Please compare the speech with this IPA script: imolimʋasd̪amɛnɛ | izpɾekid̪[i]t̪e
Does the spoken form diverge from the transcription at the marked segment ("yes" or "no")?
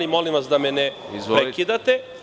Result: yes